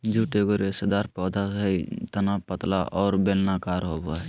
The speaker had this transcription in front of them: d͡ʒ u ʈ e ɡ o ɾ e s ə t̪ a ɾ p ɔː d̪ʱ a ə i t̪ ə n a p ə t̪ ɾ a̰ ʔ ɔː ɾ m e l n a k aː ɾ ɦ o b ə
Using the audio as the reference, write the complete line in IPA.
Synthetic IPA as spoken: d͡ʒ u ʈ e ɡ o ɾ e s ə d̪ a ɾ p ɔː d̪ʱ a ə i t̪ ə n a p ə t̪ l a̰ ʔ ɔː ɾ b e l n a k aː ɾ ɦ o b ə